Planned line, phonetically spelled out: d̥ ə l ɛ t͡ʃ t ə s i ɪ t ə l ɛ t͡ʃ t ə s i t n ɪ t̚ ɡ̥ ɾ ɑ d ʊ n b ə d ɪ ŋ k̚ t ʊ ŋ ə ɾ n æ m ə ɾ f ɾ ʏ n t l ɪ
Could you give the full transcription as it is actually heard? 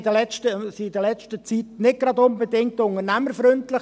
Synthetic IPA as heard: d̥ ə l ɛ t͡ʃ t ə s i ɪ d ə l ɛ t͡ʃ t ə t͡s i t n ɪ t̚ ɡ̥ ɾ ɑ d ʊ n b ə d ɪ ŋ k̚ t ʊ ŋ ə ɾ n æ m ə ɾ f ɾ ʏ n t l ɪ